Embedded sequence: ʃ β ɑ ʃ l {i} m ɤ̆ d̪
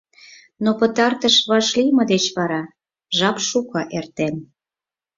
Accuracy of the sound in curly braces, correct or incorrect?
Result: correct